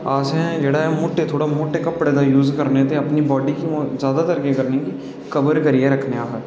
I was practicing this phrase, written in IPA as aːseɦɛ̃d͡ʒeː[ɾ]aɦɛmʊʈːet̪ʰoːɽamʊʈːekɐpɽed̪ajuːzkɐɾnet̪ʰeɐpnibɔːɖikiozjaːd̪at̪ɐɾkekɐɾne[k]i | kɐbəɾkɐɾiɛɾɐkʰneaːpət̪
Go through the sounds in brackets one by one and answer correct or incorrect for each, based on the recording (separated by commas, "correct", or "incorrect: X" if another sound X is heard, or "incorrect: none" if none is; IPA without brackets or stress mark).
incorrect: ɽ, correct